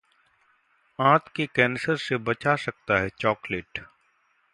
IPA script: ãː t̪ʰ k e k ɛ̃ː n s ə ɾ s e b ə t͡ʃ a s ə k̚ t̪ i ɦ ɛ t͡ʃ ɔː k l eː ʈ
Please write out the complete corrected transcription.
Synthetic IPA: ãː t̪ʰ k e k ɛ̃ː n s ə ɾ s e b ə t͡ʃ a s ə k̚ t̪ a ɦ ɛ t͡ʃ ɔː k l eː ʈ

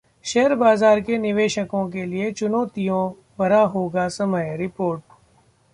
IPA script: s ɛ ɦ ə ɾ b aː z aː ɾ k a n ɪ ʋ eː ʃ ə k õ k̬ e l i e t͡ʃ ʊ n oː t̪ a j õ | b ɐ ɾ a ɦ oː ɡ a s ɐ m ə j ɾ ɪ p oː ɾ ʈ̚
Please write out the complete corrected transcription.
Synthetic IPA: ʃ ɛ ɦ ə ɾ b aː z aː ɾ k e n ɪ ʋ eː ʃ ə k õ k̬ e l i e t͡ʃ ʊ n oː t̪ i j õ | b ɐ ɾ a ɦ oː ɡ a s ɐ m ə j ɾ ɪ p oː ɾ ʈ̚

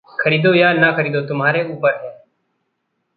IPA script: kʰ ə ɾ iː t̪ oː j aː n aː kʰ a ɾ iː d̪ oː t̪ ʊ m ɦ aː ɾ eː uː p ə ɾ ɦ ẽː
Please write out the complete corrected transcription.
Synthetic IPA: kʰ ə ɾ iː d̪ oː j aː n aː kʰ ə ɾ iː d̪ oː t̪ ʊ m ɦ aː ɾ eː uː p ə ɾ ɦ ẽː

